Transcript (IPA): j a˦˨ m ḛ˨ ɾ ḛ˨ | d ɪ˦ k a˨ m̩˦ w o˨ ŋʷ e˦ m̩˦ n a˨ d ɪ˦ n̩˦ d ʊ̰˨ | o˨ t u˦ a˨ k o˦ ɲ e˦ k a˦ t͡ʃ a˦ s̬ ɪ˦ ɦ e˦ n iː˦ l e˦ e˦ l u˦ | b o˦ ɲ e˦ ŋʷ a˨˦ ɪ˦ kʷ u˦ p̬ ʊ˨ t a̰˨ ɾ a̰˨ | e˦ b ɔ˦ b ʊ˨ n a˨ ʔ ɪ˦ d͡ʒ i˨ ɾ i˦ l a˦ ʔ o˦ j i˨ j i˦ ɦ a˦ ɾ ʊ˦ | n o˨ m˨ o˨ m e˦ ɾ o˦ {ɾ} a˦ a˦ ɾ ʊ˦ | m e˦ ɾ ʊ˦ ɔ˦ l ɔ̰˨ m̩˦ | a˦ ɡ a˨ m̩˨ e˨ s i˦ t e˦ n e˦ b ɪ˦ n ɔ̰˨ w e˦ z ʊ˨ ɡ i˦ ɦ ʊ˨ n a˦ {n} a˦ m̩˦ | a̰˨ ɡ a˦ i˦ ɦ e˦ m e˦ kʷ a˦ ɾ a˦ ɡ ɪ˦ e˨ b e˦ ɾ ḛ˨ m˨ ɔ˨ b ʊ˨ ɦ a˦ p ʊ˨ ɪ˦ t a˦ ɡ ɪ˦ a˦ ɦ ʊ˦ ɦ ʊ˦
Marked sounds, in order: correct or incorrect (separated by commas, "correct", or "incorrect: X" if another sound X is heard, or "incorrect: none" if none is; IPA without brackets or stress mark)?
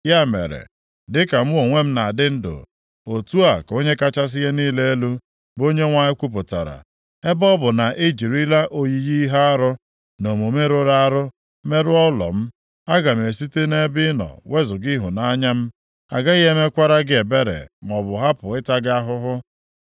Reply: correct, incorrect: ɲ